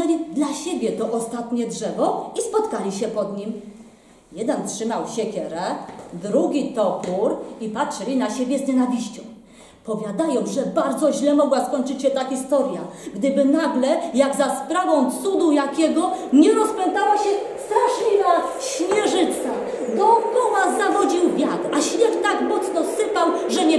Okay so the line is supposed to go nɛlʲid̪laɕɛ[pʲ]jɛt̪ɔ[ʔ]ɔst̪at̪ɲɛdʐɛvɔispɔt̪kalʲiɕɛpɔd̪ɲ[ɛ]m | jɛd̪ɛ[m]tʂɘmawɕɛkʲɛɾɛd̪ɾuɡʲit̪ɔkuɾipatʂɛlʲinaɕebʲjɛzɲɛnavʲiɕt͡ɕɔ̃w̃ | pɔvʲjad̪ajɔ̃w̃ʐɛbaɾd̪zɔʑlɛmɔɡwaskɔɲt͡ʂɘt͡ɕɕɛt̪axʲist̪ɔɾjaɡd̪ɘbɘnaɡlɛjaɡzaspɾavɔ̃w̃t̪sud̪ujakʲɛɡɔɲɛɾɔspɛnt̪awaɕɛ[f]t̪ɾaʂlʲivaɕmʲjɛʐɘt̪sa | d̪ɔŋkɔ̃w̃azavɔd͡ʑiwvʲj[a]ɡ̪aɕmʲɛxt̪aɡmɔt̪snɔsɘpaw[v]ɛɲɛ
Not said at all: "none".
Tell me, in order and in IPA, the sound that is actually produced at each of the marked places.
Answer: bʲ, ʔ, i, n, s, a, ʐ

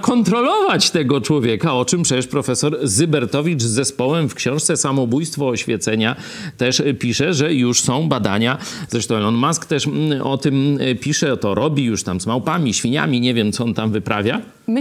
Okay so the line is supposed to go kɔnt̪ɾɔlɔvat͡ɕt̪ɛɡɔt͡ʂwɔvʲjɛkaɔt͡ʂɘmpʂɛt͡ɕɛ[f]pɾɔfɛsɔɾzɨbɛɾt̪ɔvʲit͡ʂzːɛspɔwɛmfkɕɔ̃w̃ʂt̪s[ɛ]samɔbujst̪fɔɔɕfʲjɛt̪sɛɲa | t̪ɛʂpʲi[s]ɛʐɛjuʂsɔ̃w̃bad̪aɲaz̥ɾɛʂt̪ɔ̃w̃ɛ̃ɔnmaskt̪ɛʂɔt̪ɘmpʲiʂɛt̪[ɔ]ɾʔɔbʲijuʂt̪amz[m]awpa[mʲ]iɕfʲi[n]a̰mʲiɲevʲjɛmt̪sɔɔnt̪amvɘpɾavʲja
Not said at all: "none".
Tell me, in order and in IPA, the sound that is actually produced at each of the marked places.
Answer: ʂ, ɛ, ʂ, ɔ, m, mʲ, ɲ

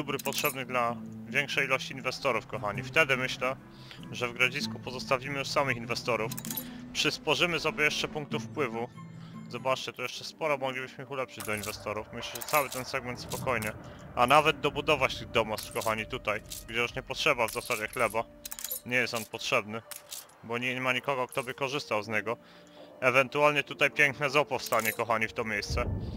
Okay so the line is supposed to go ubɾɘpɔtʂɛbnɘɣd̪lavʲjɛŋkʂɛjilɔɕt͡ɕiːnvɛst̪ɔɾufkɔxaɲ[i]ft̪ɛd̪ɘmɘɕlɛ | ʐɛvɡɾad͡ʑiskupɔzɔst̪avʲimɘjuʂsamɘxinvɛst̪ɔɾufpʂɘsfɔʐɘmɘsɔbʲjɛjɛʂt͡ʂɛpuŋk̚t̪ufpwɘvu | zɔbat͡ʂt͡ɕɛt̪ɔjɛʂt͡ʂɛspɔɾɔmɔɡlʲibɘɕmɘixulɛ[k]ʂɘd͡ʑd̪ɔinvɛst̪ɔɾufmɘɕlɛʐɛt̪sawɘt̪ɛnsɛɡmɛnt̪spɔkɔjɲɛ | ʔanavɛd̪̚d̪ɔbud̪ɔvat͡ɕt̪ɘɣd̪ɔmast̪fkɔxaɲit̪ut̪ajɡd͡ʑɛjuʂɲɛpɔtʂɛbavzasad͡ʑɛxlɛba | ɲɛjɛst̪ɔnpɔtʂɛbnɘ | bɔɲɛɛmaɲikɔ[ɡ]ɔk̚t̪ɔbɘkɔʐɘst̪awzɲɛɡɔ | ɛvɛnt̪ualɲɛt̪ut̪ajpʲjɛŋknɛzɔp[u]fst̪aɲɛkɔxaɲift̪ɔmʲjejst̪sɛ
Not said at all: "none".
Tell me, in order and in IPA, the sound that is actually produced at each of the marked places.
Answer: i, p, ɡ, ɔ

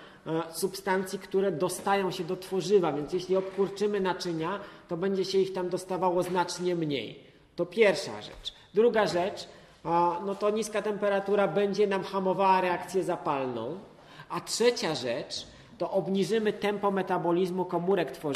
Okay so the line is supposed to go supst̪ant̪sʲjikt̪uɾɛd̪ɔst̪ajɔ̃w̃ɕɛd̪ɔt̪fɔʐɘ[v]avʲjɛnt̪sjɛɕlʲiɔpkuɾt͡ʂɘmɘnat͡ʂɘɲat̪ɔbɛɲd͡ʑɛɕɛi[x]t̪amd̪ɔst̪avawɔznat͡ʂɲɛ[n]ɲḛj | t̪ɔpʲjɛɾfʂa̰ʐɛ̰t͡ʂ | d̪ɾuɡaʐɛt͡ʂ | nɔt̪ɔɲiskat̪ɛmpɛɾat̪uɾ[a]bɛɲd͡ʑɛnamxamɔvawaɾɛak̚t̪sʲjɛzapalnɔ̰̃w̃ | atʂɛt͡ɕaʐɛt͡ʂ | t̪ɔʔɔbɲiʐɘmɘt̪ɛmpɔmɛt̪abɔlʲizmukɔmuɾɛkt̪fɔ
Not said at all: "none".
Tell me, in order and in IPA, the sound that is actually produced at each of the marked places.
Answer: v, x, m, a

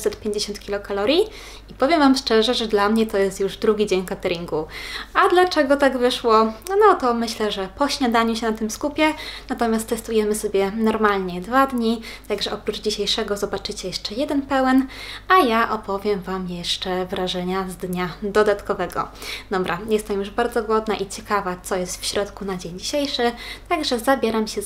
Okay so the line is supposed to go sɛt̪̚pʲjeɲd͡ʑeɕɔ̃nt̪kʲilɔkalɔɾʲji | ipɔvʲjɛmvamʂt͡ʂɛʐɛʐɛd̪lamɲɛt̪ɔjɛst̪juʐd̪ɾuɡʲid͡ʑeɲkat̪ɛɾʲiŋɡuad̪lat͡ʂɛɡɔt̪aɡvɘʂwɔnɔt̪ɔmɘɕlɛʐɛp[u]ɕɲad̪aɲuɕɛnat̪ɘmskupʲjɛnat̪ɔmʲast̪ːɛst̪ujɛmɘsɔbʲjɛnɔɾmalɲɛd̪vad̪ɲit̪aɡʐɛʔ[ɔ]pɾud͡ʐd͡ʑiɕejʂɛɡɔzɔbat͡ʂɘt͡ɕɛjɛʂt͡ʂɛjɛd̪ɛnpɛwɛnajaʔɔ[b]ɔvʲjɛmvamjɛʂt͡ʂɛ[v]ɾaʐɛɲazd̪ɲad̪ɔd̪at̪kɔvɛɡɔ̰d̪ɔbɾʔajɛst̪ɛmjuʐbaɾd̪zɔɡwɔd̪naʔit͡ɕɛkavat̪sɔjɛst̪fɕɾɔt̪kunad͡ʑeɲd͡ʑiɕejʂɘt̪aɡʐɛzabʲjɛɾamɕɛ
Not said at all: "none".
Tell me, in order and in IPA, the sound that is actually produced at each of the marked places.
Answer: ɔ, ɔ, p, v

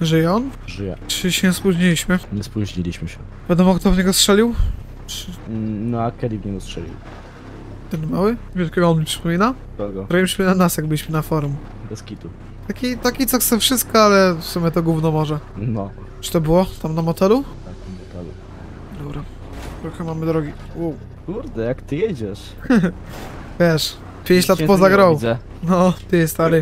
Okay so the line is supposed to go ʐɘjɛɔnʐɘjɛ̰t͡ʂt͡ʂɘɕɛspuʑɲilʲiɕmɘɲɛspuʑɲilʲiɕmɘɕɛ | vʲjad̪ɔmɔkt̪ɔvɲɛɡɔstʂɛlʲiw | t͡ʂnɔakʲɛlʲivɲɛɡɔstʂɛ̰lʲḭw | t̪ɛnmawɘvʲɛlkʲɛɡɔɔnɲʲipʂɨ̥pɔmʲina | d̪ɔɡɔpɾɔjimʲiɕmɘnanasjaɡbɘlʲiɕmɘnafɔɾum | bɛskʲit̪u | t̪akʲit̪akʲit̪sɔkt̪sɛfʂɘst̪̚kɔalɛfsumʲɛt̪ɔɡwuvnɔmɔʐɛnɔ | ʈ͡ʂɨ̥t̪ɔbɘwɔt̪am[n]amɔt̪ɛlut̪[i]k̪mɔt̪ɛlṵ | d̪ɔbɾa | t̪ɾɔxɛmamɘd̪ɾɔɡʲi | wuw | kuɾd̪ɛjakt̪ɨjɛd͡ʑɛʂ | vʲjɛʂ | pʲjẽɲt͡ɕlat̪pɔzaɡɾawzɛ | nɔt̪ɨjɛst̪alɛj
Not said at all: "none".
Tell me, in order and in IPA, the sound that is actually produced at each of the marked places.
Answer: n, a

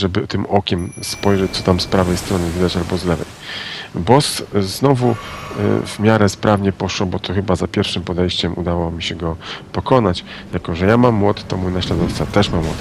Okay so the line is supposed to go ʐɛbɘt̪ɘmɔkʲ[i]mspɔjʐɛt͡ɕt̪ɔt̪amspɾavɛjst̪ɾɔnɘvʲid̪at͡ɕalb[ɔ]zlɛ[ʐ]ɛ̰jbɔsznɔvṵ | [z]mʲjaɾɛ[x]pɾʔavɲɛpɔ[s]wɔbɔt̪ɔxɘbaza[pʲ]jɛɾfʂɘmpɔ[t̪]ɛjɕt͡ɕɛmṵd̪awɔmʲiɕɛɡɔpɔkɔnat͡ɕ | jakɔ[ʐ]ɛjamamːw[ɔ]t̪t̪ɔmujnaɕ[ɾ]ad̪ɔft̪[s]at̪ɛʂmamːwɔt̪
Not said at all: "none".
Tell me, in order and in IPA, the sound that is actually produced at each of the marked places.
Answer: ɛ, ɔ, v, v, s, ʂ, pʲ, d̪, ʐ, ɔ, l, s

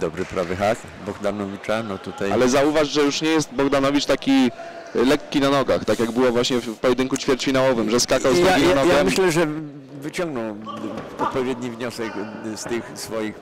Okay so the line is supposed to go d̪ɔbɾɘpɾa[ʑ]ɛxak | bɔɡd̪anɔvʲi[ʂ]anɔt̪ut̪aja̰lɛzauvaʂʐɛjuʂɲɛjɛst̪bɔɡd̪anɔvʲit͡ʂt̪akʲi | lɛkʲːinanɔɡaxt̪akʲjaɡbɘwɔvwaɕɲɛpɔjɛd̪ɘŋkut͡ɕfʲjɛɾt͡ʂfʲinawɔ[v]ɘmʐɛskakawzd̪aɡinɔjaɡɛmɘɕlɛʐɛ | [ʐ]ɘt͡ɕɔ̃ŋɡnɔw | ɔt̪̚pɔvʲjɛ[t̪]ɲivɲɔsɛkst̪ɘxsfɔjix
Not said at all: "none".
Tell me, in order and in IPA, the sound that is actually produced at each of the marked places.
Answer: v, t͡ʂ, v, v, d̪

